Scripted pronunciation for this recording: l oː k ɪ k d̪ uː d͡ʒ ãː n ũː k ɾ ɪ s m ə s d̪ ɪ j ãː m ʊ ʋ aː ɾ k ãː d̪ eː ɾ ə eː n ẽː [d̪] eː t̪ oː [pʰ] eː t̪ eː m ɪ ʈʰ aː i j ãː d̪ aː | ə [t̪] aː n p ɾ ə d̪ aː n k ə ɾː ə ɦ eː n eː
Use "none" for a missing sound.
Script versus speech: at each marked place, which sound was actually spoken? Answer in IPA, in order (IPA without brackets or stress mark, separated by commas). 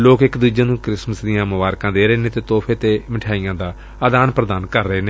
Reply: t̪, pʰ, d̪